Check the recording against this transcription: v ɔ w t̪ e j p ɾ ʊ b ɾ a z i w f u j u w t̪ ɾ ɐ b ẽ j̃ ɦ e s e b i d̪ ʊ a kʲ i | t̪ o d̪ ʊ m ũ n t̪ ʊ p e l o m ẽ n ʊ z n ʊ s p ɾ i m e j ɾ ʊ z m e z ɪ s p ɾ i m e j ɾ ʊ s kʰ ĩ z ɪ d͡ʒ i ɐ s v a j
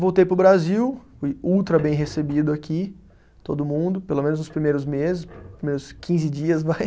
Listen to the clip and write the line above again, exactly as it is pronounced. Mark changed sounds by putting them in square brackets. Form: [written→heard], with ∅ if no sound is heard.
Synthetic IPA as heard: v [ɔ→o] w t̪ e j p ɾ ʊ b ɾ a z i w f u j u w t̪ ɾ ɐ b ẽ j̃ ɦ e s e b i d̪ ʊ a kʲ i | t̪ o d̪ ʊ m ũ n [t̪→d̪] ʊ p e l o m ẽ n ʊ z n ʊ s p ɾ i m e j ɾ ʊ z m e z ɪ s p ɾ i m e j ɾ ʊ s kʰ ĩ z ɪ d͡ʒ i ɐ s v a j